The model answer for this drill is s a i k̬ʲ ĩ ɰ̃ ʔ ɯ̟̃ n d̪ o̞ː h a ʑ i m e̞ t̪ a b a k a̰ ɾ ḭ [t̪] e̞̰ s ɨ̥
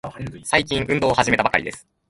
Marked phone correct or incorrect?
incorrect